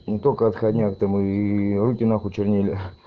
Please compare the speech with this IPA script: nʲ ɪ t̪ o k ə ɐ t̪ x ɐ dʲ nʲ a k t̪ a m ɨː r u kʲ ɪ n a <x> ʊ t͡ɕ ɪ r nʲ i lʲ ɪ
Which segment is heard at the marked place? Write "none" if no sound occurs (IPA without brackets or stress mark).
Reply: x